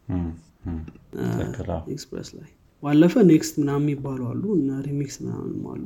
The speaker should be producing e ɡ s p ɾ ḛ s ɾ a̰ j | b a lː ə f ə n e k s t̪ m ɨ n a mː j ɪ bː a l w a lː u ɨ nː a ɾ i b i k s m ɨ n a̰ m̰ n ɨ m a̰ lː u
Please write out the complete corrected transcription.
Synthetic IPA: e k s p ɾ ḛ s l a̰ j | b a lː ə f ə n e k s t̪ m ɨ n a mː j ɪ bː a l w a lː u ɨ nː a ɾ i m i k s m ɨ n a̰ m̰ n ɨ m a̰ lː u